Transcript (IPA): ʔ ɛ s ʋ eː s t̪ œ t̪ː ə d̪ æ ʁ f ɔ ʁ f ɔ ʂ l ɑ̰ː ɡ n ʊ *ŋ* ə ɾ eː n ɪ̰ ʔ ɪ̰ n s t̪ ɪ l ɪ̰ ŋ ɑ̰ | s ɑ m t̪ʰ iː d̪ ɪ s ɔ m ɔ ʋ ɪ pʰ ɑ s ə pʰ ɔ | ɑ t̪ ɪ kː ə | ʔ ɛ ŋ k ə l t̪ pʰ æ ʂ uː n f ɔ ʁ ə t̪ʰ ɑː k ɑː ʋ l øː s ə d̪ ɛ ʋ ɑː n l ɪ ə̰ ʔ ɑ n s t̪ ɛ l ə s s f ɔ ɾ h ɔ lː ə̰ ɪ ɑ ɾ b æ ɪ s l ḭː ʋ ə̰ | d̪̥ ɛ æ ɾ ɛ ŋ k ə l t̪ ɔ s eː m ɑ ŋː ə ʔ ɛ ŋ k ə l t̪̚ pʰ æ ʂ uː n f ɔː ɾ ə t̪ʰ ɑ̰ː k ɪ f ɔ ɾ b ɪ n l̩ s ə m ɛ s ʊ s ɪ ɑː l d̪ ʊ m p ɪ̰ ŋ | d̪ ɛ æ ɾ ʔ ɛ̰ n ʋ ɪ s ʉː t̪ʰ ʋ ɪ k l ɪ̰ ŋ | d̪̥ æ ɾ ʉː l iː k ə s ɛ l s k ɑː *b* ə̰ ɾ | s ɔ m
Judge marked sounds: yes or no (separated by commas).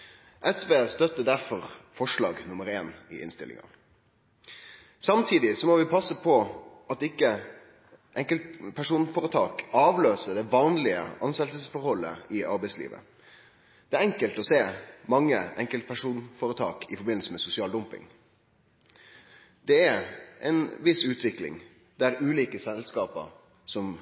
no, no